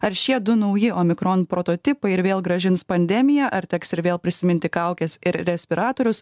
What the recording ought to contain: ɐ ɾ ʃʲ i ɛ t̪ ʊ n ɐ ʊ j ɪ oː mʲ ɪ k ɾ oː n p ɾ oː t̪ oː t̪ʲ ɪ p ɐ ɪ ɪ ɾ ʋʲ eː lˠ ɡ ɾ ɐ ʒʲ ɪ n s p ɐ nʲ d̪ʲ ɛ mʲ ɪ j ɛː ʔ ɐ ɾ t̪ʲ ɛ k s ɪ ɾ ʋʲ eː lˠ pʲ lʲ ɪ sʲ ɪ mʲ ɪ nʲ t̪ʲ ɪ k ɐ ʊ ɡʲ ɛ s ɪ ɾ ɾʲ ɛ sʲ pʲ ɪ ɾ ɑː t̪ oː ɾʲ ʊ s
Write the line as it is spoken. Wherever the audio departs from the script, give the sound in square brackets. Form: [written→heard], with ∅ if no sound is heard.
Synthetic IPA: ɐ ɾ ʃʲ i ɛ [t̪→d̪] ʊ n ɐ ʊ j ɪ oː mʲ ɪ k ɾ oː n p ɾ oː t̪ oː t̪ʲ ɪ p ɐ ɪ ɪ ɾ ʋʲ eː lˠ ɡ ɾ ɐ ʒʲ ɪ n s p ɐ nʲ d̪ʲ ɛ mʲ ɪ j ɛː ʔ ɐ ɾ t̪ʲ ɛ k s ɪ ɾ ʋʲ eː lˠ pʲ [lʲ→ɾʲ] ɪ sʲ ɪ mʲ ɪ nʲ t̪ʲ ɪ k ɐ ʊ [ɡʲ→kʲ] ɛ s ɪ ɾ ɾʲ ɛ sʲ pʲ ɪ ɾ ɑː t̪ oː ɾʲ ʊ s